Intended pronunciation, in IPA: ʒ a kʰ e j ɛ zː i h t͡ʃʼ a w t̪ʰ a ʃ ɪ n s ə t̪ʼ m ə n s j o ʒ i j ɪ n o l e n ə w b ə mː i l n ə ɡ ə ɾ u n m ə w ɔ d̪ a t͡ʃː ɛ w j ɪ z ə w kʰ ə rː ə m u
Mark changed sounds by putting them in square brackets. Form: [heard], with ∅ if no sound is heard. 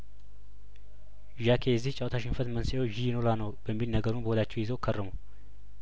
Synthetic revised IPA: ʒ a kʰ e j ɛ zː i h t͡ʃʼ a w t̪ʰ a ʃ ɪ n [f] ə [t̪] m ə n s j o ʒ i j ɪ n o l [a] n ə w b ə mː i l n ə ɡ ə ɾ u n [b] ə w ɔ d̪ a t͡ʃː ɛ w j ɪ z ə w kʰ ə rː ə m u